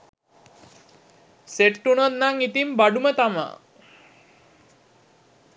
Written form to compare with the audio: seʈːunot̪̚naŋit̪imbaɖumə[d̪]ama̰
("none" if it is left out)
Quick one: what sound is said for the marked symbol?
t̪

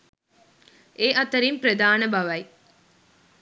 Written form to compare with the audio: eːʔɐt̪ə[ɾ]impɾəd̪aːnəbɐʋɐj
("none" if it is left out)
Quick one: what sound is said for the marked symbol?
ɾ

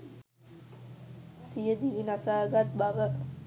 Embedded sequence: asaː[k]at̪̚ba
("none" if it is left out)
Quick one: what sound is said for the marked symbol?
ɡ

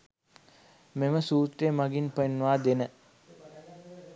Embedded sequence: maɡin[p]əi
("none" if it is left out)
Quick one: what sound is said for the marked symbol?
p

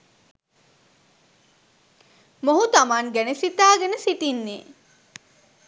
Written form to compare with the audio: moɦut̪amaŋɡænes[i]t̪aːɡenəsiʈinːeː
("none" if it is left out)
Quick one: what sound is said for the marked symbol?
i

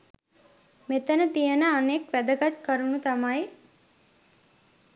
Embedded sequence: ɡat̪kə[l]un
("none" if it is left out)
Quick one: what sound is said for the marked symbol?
ɾ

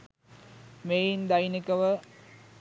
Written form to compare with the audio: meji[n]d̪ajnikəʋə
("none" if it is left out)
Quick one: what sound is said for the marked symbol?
n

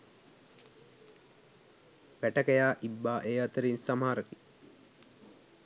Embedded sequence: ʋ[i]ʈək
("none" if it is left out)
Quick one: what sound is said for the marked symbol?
æ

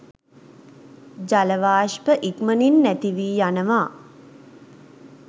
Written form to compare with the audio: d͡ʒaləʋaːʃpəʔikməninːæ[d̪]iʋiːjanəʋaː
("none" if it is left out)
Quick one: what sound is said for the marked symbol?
t̪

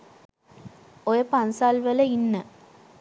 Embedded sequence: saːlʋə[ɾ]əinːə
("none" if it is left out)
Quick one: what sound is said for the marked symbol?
l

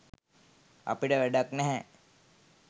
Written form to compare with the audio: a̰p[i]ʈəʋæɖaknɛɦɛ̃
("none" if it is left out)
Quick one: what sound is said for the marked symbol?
i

